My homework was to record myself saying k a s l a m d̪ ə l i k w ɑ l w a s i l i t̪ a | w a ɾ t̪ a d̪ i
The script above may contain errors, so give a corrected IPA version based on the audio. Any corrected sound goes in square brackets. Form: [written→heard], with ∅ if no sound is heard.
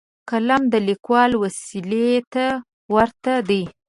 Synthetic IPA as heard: k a [s→∅] l a m d̪ ə l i k w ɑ l w a s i l [i→e] t̪ a | w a ɾ t̪ a d̪ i